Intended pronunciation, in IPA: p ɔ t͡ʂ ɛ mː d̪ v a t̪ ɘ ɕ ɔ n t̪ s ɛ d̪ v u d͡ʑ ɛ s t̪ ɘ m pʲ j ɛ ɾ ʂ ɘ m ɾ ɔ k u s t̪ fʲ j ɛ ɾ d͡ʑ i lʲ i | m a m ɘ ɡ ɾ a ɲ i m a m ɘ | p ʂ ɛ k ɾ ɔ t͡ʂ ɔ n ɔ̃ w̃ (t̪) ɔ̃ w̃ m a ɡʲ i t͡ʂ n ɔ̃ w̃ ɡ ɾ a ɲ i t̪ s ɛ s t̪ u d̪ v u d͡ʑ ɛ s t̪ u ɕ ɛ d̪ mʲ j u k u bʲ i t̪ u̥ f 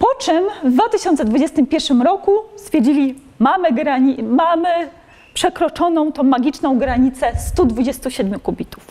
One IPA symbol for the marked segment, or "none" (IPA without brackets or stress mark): t̪